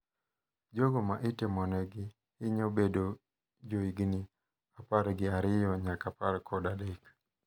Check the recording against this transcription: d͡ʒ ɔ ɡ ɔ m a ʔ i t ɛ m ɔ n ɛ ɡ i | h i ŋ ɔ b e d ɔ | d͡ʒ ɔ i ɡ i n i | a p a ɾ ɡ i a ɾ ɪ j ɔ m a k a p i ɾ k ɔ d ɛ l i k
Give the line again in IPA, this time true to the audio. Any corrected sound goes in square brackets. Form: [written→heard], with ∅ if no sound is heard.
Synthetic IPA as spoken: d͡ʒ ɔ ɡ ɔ m a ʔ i t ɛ m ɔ n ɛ ɡ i | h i [ŋ→ɲ] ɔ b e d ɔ | d͡ʒ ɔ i ɡ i n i | a p a ɾ ɡ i a ɾ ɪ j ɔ [m→ɲ] a k a p [i→a] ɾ k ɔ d [ɛ→a] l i k